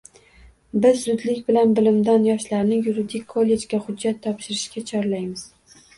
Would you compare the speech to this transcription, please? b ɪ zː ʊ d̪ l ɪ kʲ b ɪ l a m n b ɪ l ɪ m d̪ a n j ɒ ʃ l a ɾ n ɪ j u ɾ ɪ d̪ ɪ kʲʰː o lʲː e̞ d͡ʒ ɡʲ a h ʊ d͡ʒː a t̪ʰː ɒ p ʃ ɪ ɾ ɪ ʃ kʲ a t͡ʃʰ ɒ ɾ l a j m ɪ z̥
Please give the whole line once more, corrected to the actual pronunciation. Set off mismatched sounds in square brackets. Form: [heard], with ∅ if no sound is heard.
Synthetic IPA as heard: b ɪ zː ʊ d̪ l ɪ kʲ b ɪ l a [∅] n b ɪ l ɪ m d̪ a n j ɒ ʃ l a ɾ n ɪ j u ɾ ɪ d̪ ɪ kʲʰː o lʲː e̞ d͡ʒ ɡʲ a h ʊ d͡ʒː a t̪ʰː ɒ p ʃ ɪ ɾ ɪ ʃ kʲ a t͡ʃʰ ɒ ɾ l a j m ɪ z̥